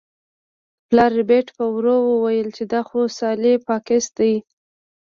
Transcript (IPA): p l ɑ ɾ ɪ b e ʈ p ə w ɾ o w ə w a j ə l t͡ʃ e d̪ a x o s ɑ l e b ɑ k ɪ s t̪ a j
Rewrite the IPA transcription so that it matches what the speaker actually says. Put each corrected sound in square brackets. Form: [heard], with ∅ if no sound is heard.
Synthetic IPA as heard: p l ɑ ɾ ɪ b e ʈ p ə w ɾ o w ə w a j ə l t͡ʃ e d̪ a x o s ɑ l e [p] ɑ k ɪ s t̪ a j